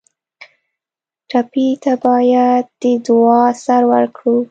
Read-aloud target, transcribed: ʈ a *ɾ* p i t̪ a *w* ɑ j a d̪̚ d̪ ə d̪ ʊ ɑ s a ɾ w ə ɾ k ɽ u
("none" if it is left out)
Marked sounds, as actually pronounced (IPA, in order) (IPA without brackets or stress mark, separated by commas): none, b